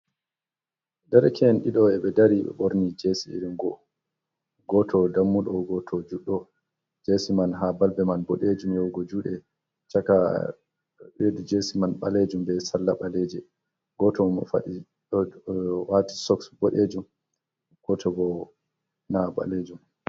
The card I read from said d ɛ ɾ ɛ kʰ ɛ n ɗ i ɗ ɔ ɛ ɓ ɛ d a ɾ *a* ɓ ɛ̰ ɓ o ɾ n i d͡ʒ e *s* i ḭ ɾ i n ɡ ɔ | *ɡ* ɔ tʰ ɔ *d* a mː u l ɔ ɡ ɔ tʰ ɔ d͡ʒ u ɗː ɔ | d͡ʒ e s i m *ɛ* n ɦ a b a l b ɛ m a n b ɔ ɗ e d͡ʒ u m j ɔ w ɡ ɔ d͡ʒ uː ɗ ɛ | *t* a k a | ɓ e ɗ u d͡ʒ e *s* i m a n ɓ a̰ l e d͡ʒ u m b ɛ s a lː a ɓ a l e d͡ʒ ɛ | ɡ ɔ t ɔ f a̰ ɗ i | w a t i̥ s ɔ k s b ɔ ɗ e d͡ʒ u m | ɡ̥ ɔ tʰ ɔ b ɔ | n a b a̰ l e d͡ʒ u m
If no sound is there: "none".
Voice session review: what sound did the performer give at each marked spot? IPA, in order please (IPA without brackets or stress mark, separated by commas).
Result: i, s, ɡ, d, a, t͡ʃ, s